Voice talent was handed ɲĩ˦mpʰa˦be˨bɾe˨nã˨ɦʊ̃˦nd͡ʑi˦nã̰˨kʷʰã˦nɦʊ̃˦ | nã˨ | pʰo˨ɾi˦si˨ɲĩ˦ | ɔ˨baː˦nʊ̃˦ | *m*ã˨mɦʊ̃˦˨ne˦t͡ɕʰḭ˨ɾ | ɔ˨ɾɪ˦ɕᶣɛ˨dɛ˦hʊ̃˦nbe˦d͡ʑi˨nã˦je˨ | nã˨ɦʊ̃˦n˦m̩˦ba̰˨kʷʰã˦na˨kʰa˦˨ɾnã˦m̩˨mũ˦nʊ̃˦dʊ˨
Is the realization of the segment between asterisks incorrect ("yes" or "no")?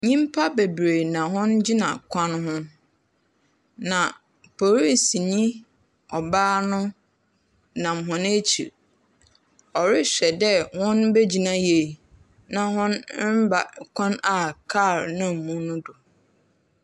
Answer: yes